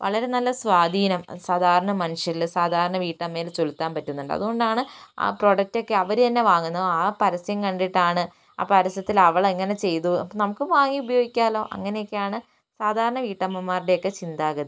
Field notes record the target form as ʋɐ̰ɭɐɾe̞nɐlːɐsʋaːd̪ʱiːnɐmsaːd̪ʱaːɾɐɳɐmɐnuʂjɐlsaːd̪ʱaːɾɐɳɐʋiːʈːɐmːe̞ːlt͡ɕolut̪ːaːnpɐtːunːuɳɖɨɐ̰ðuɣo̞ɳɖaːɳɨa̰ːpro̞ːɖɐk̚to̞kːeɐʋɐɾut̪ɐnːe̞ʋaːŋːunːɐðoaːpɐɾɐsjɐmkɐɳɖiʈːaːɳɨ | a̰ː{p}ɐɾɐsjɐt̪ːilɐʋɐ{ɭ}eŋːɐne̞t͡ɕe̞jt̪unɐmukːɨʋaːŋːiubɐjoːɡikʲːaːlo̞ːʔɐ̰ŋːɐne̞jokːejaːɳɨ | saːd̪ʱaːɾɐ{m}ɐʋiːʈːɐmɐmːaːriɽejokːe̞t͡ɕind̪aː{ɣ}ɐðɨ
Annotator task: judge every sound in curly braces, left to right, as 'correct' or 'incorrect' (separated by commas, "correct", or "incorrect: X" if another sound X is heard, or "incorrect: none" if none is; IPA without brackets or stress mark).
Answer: correct, correct, incorrect: ɳ, correct